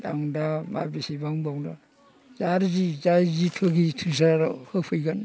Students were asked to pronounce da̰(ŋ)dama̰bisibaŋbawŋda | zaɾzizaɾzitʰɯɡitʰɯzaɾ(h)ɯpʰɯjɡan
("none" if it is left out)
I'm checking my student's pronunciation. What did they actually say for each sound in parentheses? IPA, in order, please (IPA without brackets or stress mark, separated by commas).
ŋ, h